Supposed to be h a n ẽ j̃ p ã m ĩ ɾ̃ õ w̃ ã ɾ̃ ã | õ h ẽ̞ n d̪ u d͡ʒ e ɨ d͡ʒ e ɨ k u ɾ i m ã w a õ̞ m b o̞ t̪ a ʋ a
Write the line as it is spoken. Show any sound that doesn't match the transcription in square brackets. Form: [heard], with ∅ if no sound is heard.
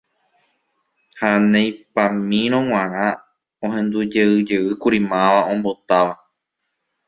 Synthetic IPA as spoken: h a n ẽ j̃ p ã m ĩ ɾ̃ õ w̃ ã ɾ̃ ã | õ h ẽ̞ n d̪ u d͡ʒ e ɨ d͡ʒ e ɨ k u ɾ i m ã [ʋ] a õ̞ m b o̞ t̪ a ʋ a